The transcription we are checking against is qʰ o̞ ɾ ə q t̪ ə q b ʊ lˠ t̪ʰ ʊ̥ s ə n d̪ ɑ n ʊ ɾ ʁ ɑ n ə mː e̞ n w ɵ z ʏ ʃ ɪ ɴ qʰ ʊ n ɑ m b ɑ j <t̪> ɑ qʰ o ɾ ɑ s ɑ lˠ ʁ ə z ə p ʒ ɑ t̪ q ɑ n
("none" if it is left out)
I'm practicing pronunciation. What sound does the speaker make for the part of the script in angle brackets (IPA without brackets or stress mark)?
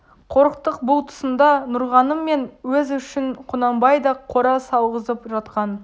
d̪